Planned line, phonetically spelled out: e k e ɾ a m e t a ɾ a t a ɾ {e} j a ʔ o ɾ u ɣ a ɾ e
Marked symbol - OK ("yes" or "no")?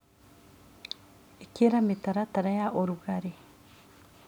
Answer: no